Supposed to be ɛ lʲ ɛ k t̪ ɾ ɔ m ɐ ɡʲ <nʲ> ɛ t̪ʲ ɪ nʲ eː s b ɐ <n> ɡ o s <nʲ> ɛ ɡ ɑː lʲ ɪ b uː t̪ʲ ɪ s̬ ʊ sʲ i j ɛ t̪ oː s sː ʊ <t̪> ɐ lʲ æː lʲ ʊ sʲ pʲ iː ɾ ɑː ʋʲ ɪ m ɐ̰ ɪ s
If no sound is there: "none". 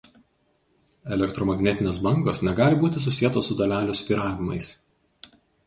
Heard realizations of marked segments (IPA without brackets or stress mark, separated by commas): nʲ, ŋ, nʲ, d̪